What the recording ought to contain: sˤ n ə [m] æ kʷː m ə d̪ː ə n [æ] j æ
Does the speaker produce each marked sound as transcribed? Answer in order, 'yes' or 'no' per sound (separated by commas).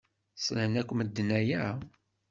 no, yes